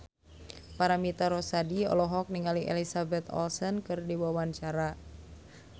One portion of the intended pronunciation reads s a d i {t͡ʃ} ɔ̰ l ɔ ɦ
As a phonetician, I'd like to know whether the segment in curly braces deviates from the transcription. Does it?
yes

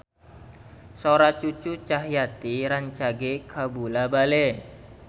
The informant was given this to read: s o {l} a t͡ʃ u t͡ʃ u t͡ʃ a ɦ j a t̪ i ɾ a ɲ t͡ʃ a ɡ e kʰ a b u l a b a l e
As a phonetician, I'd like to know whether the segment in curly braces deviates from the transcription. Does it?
yes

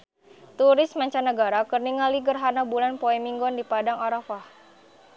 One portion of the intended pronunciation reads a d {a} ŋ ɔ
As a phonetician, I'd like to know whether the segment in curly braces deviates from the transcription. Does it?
no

